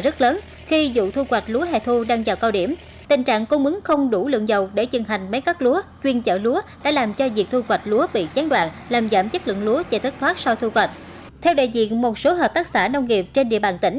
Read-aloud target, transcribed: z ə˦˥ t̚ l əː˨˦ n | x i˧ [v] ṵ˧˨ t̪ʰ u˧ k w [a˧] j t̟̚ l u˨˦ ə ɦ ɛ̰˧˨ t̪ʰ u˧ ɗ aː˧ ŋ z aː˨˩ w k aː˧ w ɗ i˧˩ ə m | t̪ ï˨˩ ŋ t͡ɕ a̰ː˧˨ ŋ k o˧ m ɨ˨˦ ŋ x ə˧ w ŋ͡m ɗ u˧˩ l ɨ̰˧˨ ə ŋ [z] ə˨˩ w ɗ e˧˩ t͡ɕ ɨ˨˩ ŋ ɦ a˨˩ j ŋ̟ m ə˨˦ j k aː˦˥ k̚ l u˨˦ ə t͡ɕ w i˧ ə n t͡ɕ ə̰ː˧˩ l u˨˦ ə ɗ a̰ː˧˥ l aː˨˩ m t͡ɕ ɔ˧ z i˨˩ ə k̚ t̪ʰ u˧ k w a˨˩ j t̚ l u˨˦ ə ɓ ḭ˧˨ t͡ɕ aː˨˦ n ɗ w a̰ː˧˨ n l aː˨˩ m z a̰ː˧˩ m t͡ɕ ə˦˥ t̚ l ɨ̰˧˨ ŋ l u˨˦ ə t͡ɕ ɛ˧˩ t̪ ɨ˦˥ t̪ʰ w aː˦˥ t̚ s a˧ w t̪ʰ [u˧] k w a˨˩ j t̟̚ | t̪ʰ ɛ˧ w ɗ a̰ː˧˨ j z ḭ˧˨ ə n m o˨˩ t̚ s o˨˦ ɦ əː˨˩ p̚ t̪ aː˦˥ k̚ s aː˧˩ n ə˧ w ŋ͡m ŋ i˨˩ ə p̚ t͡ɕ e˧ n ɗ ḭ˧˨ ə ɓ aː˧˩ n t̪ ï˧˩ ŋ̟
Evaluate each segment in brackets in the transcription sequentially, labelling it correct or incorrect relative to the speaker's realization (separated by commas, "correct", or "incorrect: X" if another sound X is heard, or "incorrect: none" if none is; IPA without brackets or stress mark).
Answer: incorrect: z, incorrect: a˨˩, correct, correct